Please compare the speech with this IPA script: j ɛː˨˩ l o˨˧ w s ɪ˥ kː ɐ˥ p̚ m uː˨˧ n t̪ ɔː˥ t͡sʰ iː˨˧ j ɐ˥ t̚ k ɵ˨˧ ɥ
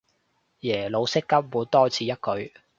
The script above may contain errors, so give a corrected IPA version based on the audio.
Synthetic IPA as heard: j ɛː˨˩ l o˨˧ w s ɪ˥ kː ɐ˥ p̚ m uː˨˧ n t̪ ɔː˥ t͡sʰ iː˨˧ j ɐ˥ t̚ k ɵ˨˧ ɥ